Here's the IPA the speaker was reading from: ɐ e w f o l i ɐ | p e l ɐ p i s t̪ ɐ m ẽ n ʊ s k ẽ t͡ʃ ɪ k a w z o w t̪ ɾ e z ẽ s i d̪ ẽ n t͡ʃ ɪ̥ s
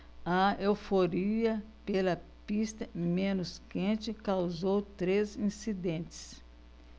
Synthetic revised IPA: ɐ e w f o ɾ i ɐ | p e l ɐ p i s t̪ ɐ m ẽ n ʊ s k ẽ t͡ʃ ɪ k a w z o w t̪ ɾ e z ĩ s i d̪ ẽ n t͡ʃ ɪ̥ s